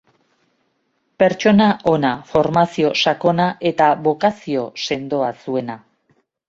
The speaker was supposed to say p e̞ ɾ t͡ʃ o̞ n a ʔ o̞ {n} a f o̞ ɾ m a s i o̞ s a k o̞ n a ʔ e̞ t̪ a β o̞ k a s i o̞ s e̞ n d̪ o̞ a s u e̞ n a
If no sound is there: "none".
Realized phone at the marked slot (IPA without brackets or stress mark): n